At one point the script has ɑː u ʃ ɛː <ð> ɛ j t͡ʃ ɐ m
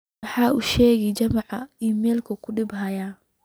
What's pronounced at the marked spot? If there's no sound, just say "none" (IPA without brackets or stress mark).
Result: ɣ